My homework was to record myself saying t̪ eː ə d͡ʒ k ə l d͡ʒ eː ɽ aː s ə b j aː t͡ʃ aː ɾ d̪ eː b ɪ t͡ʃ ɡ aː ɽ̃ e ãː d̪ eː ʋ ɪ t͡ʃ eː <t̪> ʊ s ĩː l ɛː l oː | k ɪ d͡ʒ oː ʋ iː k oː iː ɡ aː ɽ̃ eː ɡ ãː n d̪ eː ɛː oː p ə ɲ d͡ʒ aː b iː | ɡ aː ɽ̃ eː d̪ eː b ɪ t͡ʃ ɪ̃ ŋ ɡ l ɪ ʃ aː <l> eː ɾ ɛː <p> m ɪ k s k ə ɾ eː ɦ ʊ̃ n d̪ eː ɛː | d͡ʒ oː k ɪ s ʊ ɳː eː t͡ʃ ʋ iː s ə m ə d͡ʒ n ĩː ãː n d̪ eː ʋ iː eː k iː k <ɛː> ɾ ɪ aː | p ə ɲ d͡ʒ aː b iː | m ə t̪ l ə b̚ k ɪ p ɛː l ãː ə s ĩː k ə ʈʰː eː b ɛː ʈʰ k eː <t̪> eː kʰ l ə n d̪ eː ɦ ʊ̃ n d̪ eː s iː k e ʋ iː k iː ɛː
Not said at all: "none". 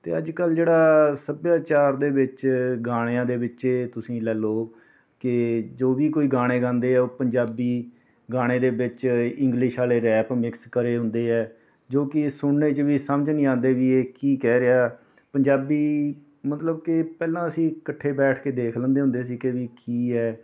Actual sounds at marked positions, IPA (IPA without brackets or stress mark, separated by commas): t̪, l, p, ɛː, d̪